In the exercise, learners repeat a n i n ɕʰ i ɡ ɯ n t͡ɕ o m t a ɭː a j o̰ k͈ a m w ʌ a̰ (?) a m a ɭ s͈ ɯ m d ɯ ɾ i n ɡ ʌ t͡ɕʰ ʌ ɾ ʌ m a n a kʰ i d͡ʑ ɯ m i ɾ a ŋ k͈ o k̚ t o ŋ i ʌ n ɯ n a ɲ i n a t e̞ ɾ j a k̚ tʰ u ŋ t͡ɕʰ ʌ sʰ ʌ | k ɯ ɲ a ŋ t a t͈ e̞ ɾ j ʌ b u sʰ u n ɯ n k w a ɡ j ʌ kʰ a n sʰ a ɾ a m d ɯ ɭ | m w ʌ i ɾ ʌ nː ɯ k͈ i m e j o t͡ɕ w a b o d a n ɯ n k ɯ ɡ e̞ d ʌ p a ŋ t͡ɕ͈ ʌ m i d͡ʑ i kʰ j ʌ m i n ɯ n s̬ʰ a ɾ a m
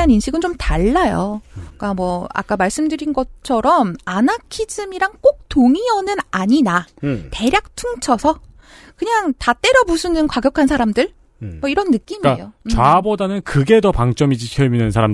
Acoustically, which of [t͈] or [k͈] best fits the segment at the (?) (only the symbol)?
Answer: k͈